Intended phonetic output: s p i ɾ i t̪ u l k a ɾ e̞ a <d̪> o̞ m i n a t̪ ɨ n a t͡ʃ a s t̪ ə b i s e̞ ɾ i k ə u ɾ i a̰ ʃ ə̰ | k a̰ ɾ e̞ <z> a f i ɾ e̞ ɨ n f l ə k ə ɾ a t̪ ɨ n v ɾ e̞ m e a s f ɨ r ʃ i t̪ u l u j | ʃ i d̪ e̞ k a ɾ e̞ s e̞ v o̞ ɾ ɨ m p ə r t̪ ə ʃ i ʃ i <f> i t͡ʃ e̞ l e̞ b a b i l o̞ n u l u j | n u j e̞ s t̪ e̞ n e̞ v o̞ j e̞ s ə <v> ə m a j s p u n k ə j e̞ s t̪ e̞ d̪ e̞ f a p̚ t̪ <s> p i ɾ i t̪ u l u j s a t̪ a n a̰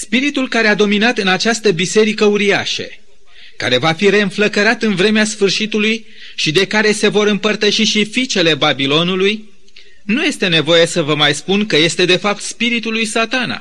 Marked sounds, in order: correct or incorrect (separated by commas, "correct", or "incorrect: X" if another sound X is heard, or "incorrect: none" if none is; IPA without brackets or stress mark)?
correct, incorrect: v, correct, correct, correct